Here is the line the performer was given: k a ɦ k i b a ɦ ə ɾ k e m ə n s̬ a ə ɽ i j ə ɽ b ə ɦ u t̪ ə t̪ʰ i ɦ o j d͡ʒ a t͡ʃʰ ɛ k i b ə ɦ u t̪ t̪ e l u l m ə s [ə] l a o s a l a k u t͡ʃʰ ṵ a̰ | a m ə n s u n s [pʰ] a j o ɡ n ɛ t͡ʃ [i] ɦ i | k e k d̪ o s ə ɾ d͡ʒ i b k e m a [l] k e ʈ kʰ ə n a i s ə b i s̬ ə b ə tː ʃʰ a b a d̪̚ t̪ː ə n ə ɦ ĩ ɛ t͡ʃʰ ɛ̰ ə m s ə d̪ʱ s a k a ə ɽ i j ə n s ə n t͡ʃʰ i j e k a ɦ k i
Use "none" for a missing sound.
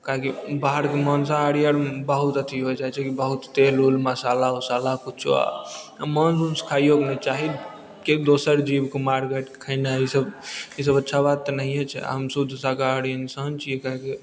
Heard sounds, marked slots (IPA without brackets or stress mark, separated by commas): a, kʰ, a, ɾ